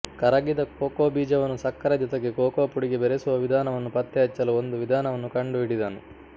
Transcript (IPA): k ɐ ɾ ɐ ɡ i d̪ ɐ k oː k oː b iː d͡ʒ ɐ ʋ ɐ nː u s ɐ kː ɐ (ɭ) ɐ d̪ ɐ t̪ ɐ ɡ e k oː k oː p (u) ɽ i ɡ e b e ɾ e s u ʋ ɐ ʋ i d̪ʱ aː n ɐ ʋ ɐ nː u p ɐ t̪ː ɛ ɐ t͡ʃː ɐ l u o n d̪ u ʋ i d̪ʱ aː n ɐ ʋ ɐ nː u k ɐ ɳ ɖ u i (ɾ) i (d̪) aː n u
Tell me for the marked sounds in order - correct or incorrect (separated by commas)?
incorrect, correct, incorrect, correct